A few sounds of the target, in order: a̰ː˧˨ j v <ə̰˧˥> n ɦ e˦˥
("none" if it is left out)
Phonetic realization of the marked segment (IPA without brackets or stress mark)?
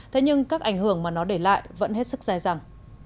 ə̰˧˥